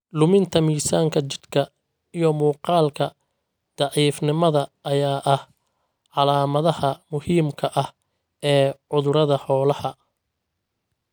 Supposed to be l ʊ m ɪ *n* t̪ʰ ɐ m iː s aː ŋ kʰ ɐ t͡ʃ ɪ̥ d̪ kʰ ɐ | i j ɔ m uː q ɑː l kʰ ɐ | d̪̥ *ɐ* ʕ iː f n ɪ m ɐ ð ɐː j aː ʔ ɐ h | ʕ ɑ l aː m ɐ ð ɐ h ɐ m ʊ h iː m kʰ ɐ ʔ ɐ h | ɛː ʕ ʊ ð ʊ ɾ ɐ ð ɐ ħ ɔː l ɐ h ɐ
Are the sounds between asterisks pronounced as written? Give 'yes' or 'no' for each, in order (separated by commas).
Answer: yes, no